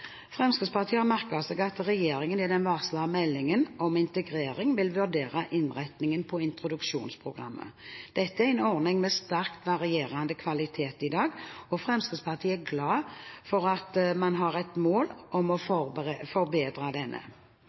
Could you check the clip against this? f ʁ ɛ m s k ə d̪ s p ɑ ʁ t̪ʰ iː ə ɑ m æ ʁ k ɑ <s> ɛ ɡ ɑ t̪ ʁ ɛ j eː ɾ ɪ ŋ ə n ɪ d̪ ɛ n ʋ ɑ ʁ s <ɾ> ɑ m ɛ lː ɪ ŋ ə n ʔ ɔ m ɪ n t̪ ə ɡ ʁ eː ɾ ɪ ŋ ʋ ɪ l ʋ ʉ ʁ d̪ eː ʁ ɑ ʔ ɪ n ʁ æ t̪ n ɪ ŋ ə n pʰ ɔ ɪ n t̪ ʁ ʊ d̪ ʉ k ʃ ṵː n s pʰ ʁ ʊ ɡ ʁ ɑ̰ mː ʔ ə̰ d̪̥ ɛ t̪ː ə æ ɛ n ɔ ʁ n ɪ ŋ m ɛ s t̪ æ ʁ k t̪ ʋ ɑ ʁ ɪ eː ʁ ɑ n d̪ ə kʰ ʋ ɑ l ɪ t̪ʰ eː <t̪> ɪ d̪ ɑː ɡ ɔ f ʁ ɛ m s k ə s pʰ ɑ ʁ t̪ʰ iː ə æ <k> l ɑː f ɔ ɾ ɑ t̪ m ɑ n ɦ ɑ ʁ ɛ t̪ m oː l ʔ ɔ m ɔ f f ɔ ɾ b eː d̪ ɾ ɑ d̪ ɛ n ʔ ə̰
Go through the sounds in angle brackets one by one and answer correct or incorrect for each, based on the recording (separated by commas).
correct, incorrect, correct, incorrect